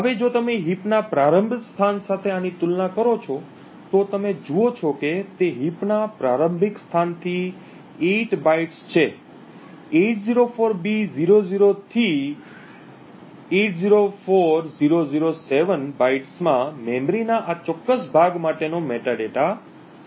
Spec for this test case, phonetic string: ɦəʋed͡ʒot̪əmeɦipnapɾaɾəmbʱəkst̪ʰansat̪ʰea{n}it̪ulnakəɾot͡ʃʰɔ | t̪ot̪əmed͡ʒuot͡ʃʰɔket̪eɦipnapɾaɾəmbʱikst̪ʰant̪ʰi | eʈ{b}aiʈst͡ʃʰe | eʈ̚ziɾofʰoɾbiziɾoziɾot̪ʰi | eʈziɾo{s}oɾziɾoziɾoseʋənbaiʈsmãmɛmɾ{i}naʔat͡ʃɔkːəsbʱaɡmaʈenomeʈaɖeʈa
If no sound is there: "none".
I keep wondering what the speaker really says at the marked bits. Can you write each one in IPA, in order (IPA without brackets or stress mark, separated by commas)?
n, b, f, i